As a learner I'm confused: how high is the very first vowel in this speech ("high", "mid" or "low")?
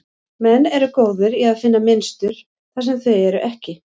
mid